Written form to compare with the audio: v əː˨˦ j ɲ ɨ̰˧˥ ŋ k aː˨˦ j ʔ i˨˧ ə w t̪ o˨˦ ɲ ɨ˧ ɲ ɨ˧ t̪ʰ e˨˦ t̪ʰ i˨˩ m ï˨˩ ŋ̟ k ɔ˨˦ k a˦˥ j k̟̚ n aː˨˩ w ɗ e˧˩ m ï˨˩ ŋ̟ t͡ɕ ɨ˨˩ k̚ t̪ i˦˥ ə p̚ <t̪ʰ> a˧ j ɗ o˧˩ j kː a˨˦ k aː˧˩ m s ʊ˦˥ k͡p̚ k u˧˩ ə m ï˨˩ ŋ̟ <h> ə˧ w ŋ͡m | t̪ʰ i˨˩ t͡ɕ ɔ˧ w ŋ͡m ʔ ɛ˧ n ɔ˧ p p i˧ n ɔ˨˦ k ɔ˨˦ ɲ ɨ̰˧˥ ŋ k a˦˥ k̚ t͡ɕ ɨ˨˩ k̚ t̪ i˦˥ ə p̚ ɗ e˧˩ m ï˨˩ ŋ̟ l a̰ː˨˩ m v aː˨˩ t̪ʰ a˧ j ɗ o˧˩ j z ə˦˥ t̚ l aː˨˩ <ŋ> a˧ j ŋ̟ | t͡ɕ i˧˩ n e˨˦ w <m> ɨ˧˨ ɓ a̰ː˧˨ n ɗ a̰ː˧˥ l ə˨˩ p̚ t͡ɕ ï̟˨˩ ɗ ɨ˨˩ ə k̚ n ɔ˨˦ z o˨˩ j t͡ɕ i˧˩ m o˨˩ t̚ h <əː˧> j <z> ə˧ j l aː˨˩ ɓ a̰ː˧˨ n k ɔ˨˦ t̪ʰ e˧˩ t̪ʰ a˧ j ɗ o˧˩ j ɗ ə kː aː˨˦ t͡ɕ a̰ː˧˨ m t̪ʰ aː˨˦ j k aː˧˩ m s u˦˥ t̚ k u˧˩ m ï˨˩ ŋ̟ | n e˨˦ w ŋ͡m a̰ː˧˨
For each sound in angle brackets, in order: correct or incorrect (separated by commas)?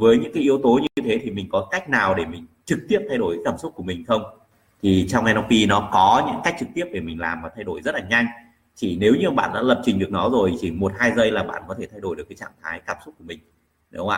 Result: correct, incorrect, incorrect, incorrect, incorrect, correct